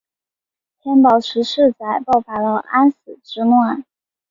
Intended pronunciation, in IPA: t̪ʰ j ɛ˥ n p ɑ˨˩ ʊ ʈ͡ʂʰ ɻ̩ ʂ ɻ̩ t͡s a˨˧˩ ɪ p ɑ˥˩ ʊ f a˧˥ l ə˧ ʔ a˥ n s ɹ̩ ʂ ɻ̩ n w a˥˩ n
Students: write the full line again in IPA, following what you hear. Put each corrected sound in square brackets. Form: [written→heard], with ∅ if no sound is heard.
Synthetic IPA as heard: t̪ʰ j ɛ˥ n p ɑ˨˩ ʊ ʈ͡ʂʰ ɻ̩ ʂ ɻ̩ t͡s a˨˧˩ ɪ p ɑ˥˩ ʊ f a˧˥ l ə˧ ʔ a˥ n s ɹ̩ [ʂ→ʈ͡ʂ] ɻ̩ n w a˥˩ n